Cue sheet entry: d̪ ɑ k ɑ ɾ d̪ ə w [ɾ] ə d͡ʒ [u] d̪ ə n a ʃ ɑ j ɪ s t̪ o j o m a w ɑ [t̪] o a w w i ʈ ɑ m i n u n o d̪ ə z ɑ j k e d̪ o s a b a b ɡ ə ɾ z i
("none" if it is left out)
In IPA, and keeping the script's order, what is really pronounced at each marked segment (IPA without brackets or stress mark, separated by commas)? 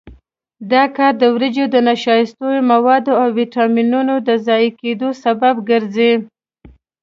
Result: ɾ, o, d̪